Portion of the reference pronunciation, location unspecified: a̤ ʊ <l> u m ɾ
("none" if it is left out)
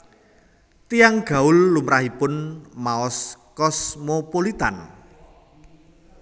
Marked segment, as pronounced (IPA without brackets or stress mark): lː